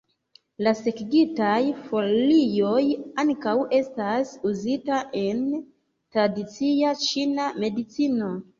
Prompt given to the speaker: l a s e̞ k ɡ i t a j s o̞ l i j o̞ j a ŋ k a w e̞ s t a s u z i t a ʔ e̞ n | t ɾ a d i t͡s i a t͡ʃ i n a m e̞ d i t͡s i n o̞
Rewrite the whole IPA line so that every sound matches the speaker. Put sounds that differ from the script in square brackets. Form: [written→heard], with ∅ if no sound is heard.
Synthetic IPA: l a s e̞ k ɡ i t a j [s→f] o̞ l i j o̞ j a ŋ k a w e̞ s t a s u z i t a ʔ e̞ n | t ɾ a d i t͡s i a t͡ʃ i n a m e̞ d i t͡s i n o̞